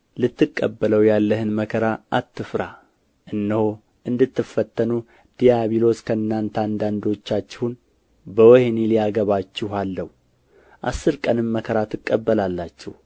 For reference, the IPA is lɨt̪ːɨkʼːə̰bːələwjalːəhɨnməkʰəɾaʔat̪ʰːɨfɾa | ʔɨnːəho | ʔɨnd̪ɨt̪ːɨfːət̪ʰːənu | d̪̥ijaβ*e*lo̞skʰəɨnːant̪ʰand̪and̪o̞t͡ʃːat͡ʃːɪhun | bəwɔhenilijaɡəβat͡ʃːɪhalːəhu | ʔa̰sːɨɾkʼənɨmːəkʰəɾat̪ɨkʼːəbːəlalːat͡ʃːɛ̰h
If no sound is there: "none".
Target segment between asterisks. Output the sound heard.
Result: i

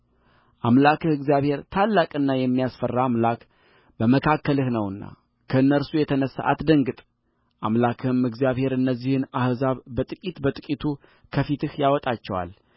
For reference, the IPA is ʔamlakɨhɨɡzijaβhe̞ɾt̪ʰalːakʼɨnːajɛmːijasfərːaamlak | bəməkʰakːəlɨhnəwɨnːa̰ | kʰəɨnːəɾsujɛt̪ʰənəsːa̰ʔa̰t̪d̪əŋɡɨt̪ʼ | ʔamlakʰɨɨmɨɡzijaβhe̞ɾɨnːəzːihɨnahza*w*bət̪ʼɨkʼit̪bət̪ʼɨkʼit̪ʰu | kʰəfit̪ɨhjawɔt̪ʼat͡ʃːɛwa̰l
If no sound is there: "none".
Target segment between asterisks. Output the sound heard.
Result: β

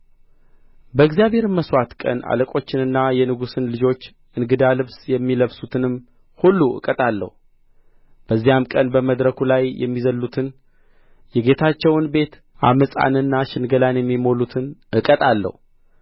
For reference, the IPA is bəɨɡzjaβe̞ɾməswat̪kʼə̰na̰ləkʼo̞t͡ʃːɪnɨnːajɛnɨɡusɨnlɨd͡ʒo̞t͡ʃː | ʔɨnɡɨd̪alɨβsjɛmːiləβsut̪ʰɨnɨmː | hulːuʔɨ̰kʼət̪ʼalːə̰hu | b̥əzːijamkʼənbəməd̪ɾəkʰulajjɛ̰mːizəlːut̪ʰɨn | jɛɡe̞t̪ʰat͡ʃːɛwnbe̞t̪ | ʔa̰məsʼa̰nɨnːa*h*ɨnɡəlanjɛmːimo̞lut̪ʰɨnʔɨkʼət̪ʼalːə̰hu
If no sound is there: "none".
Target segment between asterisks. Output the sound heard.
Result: ʃ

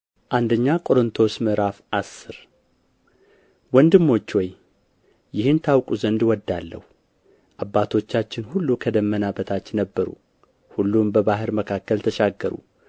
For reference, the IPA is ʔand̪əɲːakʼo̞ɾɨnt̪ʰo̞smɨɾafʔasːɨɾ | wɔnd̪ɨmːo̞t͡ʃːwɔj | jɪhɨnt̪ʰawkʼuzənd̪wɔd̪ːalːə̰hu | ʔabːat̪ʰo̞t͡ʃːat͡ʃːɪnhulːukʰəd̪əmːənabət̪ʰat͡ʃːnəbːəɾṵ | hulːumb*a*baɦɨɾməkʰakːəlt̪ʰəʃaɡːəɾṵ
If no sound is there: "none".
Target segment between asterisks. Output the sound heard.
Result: ə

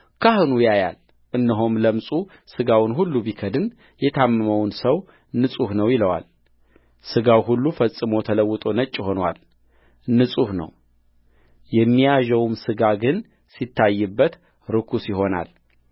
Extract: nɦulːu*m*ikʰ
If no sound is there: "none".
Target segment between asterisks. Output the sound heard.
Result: b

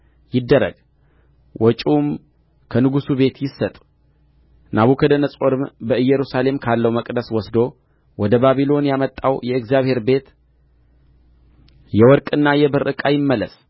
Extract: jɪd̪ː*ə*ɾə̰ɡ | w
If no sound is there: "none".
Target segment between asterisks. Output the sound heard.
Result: ə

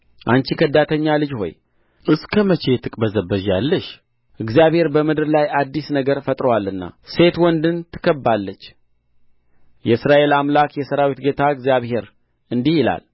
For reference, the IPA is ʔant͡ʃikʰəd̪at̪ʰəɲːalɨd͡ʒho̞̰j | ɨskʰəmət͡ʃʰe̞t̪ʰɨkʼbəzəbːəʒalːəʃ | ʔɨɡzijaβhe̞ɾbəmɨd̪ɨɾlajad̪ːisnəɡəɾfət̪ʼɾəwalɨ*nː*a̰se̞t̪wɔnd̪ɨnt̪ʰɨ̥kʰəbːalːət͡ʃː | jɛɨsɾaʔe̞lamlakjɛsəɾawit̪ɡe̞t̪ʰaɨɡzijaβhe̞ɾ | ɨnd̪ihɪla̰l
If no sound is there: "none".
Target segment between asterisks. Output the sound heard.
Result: nː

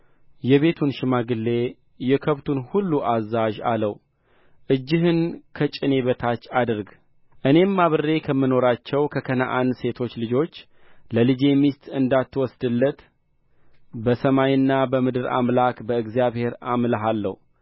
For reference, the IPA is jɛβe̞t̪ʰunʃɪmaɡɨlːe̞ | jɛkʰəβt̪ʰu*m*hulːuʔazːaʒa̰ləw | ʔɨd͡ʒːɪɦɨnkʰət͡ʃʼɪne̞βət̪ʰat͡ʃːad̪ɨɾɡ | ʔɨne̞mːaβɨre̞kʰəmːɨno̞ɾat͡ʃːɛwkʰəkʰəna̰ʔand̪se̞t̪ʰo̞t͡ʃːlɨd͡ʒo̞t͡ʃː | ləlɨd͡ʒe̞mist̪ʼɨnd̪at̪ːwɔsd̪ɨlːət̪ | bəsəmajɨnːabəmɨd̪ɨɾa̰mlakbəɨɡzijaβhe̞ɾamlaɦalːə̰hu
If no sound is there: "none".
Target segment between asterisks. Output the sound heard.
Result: n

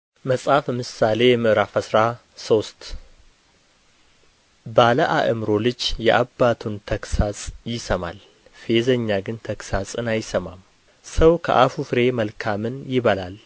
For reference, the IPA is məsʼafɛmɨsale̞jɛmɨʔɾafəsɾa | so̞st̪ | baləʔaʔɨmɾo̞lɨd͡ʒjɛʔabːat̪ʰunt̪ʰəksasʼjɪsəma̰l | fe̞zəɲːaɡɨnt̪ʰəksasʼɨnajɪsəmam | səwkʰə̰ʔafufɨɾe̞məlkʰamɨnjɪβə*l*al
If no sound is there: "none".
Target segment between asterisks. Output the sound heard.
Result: l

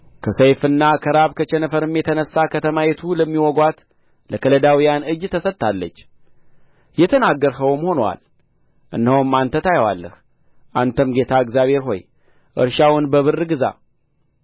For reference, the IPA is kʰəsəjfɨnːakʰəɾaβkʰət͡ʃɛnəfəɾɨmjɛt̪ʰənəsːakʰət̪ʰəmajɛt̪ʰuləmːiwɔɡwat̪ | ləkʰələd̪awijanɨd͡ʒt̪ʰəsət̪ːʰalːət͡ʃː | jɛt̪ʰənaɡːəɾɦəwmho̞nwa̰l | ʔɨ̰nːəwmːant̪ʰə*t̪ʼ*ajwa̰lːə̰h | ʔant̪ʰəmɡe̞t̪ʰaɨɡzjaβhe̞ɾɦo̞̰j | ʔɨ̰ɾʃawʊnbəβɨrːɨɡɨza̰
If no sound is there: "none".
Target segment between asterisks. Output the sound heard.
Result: t̪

